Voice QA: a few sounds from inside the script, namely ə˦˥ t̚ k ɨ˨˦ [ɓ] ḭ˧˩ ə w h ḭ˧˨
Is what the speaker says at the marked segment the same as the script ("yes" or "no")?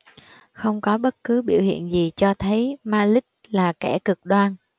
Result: yes